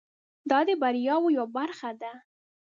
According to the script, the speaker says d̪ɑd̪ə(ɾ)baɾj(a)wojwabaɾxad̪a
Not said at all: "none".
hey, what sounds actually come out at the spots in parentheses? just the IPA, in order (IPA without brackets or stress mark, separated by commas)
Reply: none, ɑ